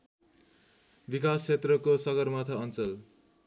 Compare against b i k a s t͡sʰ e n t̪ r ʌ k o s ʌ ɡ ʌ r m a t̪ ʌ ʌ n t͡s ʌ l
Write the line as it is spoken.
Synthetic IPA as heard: b i k a s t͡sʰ e t̪ r ʌ k o s ʌ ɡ ʌ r m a t̪ʰ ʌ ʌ n t͡s ʌ l